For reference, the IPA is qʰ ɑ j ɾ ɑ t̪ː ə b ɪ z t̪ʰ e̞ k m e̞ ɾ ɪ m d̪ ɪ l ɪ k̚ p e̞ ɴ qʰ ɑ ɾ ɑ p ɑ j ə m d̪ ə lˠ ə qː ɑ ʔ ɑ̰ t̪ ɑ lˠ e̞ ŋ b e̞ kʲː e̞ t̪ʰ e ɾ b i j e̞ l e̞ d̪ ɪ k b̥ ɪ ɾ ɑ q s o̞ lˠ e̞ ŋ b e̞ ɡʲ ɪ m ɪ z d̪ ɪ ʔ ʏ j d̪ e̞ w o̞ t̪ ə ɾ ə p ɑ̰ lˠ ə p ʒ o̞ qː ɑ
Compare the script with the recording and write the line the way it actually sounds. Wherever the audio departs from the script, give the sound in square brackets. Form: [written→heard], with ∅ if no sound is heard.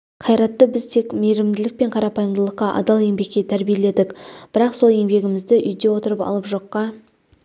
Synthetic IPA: qʰ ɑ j ɾ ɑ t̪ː ə b ɪ z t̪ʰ e̞ k m e̞ ɾ ɪ m d̪ ɪ l ɪ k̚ p e̞ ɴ qʰ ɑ ɾ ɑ p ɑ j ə m d̪ ə lˠ ə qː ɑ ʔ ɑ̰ [t̪→d̪] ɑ lˠ e̞ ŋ b e̞ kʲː e̞ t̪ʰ [e→æ] ɾ b i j e̞ l e̞ d̪ ɪ k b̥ ɪ ɾ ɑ q s o̞ lˠ e̞ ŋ b e̞ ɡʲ ɪ m ɪ z d̪ ɪ ʔ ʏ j d̪ e̞ w o̞ t̪ ə ɾ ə p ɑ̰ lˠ ə p ʒ o̞ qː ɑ